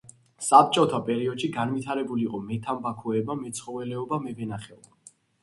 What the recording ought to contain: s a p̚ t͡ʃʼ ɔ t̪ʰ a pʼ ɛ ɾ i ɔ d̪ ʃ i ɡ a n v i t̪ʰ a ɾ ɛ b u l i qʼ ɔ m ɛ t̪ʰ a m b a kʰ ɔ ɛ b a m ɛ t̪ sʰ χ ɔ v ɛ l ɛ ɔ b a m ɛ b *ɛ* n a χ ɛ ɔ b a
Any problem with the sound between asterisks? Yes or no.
no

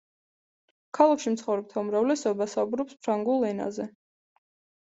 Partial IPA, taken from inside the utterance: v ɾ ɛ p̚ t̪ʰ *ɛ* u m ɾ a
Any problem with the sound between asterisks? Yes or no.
yes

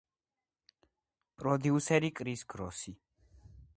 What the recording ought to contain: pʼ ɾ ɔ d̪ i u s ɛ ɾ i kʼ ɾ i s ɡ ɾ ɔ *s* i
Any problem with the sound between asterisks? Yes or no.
no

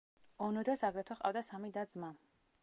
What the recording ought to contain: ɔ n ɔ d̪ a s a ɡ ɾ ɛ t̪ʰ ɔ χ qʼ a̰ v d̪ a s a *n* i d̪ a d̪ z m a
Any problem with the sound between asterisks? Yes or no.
yes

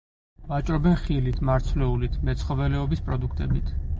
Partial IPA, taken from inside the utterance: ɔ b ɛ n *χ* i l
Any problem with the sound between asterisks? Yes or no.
no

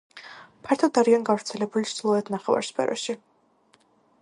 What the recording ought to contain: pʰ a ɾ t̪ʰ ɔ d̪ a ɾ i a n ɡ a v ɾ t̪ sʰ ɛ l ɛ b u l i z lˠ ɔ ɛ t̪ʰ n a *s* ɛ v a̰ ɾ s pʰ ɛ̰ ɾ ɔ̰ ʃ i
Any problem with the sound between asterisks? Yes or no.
yes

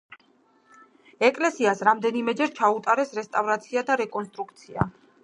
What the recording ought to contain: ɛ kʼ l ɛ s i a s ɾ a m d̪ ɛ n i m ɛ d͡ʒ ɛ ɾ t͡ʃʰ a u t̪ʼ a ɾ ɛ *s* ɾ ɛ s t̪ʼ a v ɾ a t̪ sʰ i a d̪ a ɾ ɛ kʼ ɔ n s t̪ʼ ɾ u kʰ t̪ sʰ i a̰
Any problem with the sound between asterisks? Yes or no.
no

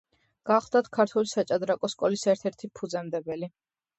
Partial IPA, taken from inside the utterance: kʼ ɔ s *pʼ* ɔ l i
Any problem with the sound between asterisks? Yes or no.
yes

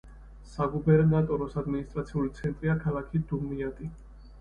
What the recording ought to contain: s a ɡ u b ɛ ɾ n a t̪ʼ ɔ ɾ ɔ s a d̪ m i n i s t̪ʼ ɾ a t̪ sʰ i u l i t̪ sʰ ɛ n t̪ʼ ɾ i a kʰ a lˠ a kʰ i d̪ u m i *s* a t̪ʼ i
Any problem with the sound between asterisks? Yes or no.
yes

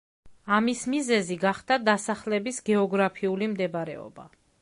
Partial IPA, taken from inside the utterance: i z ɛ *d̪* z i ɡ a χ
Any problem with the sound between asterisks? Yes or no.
yes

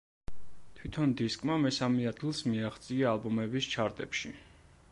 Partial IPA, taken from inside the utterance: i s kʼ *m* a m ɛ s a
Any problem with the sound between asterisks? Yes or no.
no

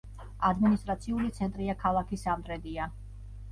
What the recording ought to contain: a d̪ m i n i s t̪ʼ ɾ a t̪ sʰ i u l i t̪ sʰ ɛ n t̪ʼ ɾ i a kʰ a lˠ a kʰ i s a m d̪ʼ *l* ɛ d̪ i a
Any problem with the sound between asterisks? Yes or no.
yes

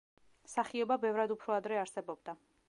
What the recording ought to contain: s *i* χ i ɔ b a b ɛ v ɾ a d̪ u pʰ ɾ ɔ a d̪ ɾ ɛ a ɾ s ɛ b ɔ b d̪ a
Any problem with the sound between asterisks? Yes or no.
yes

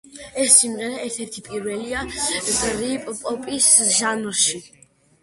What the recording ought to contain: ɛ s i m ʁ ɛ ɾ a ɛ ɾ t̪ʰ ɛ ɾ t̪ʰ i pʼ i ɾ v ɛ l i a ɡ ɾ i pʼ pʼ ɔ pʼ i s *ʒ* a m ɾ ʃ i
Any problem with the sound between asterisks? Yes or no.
no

